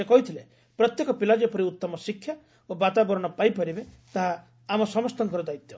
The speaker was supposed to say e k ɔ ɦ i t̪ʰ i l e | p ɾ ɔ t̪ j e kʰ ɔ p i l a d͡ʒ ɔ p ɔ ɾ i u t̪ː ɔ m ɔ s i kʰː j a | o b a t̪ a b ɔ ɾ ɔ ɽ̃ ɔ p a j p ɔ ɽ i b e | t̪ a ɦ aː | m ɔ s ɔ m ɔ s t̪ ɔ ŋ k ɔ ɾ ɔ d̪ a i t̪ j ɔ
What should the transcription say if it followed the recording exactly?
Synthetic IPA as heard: e k ɔ ɦ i t̪ʰ i l e | p ɾ ɔ t̪ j e k ɔ p i l a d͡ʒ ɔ p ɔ ɾ i u t̪ː ɔ m ɔ s i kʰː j a | o b a t̪ a b ɔ ɾ ɔ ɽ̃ ɔ p a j p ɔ ɾ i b e | t̪ a ɦ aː | m ɔ s ɔ m ɔ s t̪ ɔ ŋ k ɔ ɾ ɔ d̪ a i t̪ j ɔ

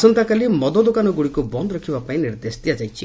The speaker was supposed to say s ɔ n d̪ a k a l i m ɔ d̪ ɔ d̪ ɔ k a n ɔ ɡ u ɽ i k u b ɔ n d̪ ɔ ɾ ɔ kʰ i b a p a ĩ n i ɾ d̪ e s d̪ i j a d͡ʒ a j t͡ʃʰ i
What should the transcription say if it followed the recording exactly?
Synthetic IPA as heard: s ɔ n t̪ a k a l i m ɔ d̪ ɔ d̪ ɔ k a n ɔ ɡ u ɽ i k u b ɔ n d̪ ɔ ɾ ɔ kʰ i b a p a ĩ n i ɾ d̪ e s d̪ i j a d͡ʒ a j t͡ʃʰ i

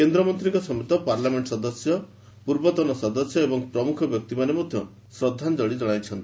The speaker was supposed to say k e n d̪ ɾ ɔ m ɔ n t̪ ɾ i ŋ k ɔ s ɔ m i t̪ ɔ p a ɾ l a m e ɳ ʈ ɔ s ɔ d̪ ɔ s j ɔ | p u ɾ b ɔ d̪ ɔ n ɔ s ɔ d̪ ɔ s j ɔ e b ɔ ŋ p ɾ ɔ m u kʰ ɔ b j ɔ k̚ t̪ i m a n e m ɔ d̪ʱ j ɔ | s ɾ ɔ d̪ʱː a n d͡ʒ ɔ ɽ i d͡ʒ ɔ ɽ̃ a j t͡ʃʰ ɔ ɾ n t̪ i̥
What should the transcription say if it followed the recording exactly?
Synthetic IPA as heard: k e n d̪ ɾ ɔ m ɔ n t̪ ɾ i ŋ k ɔ s ɔ m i t̪ ɔ p a ɾ l a m e ɳ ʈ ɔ s ɔ d̪ ɔ s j ɔ | p u ɾ b ɔ t̪ ɔ n ɔ s ɔ d̪ ɔ s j ɔ e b ɔ ŋ p ɾ ɔ m u kʰ ɔ b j ɔ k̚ t̪ i m a n e m ɔ d̪ʱ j ɔ | s ɾ ɔ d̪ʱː a n d͡ʒ ɔ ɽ i d͡ʒ ɔ ɽ̃ a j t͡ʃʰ ɔ n t̪ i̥

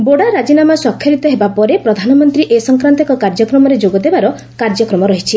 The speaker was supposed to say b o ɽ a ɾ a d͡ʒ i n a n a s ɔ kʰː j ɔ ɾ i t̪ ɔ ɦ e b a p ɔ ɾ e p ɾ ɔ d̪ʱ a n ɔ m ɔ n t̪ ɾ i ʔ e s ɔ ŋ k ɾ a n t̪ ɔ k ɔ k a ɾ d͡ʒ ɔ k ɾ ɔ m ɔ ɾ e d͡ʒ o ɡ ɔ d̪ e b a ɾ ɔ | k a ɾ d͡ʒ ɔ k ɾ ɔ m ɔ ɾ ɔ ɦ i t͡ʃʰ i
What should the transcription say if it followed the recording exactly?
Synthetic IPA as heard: b o ɽ a ɾ a d͡ʒ i n a m a s ɔ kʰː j ɔ ɾ i t̪ ɔ ɦ e b a p ɔ ɾ e p ɾ ɔ d̪ʱ a n ɔ m ɔ n t̪ ɾ i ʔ e s ɔ ŋ k ɾ a n t̪ ɔ k ɔ k a ɾ d͡ʒ ɔ k ɾ ɔ m ɔ ɾ e d͡ʒ o ɡ ɔ d̪ e b a ɾ ɔ | k a ɾ d͡ʒ ɔ k ɾ ɔ m ɔ ɾ ɔ ɦ i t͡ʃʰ i

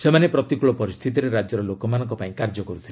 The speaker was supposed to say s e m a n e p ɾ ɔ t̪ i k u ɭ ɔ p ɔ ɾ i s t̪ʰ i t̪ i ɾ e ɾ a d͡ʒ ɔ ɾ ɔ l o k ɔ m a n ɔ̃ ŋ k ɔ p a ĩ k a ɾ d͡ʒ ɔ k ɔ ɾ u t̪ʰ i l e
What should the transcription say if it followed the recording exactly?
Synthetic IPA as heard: s e m a n e p ɾ ɔ t̪ i k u ɭ ɔ p ɔ ɾ i s t̪ʰ i t̪ i ɾ e ɾ a d͡ʒ ɔ ɾ ɔ l o k ɔ m a n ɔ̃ ŋ k ɔ p a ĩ k a ɾ d͡ʒ ɔ k ɔ ɾ u t̪ʰ i l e

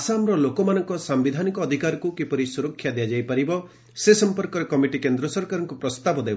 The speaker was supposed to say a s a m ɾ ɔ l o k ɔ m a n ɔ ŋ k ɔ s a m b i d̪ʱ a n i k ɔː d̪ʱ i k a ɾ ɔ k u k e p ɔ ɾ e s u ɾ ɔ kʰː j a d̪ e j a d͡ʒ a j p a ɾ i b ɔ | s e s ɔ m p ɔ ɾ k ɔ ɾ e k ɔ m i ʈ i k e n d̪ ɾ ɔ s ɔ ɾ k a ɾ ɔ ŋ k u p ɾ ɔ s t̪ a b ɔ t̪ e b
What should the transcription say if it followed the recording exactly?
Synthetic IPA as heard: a s a m ɾ ɔ l o k ɔ m a n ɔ ŋ k ɔ s a m b i d̪ʱ a n i k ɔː d̪ʱ i k a ɾ ɔ k u k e p ɔ ɾ i s u ɾ ɔ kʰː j a d̪ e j a d͡ʒ a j p a ɾ i b ɔ | s e s ɔ m p ɔ ɾ k ɔ ɾ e k ɔ m i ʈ i k e n d̪ ɾ ɔ s ɔ ɾ k a ɾ ɔ ŋ k u p ɾ ɔ s t̪ a b ɔ d̪ e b

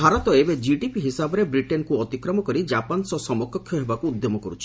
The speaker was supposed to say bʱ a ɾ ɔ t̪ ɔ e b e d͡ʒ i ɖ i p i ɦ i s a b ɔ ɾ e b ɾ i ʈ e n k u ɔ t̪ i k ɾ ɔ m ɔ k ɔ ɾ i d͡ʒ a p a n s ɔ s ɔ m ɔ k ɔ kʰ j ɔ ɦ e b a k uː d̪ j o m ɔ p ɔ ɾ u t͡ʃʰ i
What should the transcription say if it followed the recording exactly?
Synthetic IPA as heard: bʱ a ɾ ɔ t̪ ɔ e b e d͡ʒ i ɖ i p i ɦ i s a b ɔ ɾ e b ɾ i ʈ e n k u ɔ t̪ i k ɾ ɔ m ɔ k ɔ ɾ i d͡ʒ a p a n s ɔ s ɔ m ɔ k ɔ kʰ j ɔ ɦ e b a k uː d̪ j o m ɔ k ɔ ɾ u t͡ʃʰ i

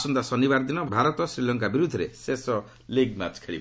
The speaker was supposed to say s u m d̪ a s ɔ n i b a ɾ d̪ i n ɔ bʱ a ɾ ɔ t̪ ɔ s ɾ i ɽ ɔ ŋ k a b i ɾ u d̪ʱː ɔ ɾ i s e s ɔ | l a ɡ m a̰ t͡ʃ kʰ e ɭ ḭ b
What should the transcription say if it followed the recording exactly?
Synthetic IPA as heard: s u n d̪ a s ɔ n i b a ɾ d̪ i n ɔ bʱ a ɾ ɔ t̪ ɔ s ɾ i l ɔ ŋ k a b i ɾ u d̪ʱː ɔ ɾ e s e s ɔ | l i ɡ m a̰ t͡ʃ kʰ e ɭ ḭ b

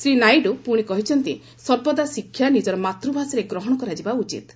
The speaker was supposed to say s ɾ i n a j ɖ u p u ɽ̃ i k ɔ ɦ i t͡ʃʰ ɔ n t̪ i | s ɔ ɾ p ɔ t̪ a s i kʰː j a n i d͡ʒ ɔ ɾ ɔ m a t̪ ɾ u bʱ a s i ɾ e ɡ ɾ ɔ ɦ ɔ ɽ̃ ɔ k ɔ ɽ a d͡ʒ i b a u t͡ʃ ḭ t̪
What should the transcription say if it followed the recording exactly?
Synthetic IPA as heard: s ɾ i n a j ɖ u p u ɽ̃ i k ɔ ɦ i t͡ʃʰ ɔ n t̪ i | s ɔ ɾ b ɔ d̪ a s i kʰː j a n i d͡ʒ ɔ ɾ ɔ m a t̪ ɾ u bʱ a s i ɾ e ɡ ɾ ɔ ɦ ɔ ɽ̃ ɔ k ɔ ɾ a d͡ʒ i b a u t͡ʃ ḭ t̪

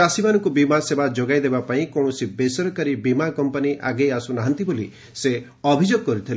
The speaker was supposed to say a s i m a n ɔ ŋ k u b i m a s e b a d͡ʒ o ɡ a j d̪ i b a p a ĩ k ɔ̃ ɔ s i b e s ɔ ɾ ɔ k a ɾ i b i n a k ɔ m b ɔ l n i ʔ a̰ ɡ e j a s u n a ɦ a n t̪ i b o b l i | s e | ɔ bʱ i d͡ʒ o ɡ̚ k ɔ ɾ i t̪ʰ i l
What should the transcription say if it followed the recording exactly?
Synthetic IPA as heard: a s i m a n ɔ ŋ k u b i m a s e b a d͡ʒ o ɡ a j d̪ e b a p a ĩ k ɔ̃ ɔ s i b e s ɔ ɾ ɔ k a ɾ i b i m a k ɔ m p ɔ n i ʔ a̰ ɡ e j a s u n a ɦ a n t̪ i b o l i | s e | ɔ bʱ i d͡ʒ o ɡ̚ k ɔ ɾ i t̪ʰ i l

